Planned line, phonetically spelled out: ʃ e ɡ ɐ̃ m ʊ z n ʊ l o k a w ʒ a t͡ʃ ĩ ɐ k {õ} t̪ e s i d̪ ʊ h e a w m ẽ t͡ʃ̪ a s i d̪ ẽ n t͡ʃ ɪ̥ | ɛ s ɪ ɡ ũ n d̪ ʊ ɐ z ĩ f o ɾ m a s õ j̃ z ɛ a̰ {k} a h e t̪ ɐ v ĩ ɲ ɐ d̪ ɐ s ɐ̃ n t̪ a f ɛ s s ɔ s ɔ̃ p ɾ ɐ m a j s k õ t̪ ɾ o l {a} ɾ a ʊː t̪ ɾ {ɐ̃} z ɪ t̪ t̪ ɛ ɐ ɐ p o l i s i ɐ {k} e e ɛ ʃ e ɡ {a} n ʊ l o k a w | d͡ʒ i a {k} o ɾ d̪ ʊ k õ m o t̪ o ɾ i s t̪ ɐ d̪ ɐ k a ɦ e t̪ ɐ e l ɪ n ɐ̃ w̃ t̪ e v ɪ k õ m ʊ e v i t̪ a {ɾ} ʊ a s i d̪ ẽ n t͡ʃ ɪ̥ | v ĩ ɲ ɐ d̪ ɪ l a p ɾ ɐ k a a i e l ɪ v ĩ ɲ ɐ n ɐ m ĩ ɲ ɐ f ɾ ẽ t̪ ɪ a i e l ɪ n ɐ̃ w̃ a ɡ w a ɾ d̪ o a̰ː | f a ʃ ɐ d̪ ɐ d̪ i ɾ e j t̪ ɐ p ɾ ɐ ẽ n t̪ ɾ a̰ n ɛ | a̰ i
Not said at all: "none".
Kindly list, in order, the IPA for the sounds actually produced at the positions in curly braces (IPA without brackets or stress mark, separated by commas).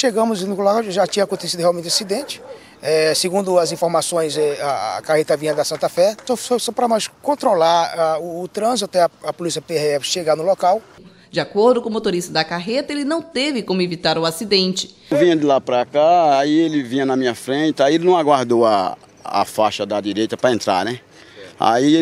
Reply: õ, k, a, ɐ̃, p, a, k, ɾ